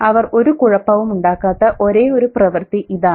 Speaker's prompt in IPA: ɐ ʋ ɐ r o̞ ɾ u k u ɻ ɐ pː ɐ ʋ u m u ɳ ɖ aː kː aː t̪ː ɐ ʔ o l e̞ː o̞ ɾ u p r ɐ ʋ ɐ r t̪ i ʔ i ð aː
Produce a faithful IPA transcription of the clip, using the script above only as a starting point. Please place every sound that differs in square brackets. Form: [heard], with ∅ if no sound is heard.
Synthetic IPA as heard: ɐ ʋ ɐ r o̞ ɾ u k u ɻ ɐ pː ɐ ʋ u m u ɳ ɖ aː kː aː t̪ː ɐ ʔ o [ɾ] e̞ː o̞ ɾ u p r ɐ ʋ ɐ r t̪ i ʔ i ð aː